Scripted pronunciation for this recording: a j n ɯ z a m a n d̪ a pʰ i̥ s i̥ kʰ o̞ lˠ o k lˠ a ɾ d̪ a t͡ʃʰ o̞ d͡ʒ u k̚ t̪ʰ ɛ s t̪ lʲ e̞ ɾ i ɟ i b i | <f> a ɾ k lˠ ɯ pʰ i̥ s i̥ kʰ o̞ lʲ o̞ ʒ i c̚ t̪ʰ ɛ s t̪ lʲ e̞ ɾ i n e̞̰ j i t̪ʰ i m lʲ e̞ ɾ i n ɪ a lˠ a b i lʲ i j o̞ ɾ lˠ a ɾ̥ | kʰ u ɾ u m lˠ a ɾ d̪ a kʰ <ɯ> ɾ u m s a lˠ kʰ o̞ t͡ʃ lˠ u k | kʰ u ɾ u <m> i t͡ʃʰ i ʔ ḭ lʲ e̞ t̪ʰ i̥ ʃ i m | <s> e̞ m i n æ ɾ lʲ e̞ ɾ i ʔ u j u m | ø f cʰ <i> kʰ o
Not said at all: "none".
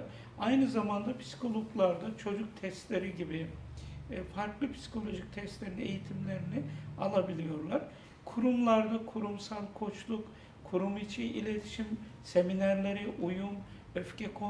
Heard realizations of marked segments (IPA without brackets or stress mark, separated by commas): f, u, m, s, ɛ